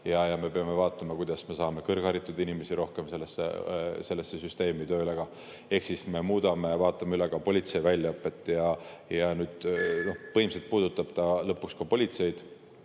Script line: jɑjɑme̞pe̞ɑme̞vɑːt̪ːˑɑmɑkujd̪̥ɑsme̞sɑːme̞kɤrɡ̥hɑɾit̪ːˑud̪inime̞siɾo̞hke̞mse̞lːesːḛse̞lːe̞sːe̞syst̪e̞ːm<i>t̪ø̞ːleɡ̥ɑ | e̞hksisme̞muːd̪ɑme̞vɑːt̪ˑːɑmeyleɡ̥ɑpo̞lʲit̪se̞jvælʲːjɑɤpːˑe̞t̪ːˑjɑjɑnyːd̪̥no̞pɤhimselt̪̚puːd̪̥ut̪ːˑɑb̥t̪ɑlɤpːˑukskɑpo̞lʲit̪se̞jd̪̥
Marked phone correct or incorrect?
correct